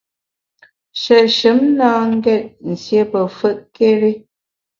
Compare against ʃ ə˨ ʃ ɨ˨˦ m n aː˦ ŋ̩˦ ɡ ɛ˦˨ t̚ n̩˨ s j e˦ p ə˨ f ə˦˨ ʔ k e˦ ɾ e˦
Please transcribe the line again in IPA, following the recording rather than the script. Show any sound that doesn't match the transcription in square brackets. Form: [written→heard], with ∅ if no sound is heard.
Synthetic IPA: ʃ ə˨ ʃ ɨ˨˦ m n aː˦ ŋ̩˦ ɡ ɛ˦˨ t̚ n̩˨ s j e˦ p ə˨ f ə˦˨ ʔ k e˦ ɾ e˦